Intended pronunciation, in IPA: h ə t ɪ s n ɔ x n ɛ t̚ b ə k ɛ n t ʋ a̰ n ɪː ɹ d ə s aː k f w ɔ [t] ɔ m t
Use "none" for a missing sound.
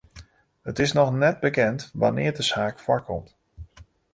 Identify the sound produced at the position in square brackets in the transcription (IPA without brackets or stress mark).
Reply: k